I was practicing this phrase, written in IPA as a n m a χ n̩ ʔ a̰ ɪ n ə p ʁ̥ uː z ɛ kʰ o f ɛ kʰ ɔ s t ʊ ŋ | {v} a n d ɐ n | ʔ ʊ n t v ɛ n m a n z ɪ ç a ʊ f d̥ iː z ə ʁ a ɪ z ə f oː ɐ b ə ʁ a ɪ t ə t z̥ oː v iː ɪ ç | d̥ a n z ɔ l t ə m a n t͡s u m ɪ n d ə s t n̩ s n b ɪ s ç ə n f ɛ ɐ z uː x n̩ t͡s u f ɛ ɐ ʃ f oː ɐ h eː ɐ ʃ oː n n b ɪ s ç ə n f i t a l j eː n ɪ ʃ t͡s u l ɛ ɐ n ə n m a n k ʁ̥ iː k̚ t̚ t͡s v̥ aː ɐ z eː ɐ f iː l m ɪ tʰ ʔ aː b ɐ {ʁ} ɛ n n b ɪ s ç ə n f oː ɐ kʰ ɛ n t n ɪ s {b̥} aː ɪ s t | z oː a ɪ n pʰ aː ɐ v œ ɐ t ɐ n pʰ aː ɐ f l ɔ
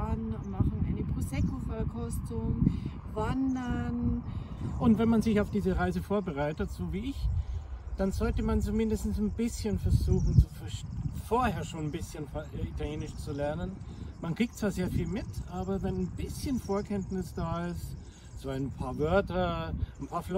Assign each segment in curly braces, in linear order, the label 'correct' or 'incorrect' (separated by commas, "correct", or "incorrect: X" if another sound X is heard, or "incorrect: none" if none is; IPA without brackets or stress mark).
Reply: correct, incorrect: v, incorrect: d̥